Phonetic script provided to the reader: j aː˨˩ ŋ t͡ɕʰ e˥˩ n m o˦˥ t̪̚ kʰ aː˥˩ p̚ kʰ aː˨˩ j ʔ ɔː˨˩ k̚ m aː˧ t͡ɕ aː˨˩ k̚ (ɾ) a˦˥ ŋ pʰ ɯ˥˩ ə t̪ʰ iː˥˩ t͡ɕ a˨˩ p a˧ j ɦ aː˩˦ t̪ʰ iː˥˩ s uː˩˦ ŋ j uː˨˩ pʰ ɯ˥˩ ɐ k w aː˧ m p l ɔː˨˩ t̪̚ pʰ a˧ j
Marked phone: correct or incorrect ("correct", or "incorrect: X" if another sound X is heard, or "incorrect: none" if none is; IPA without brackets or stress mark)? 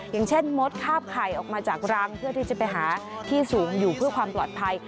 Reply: correct